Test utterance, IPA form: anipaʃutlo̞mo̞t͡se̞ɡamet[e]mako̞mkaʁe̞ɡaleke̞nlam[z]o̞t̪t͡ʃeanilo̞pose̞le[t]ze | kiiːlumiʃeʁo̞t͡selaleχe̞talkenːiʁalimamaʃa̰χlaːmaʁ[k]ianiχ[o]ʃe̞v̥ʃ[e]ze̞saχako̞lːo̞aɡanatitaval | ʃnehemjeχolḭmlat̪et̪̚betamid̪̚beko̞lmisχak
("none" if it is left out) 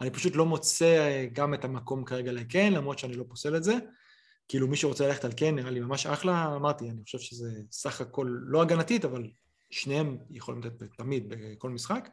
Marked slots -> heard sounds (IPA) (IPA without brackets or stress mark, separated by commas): a, ʁ, t, t, o, e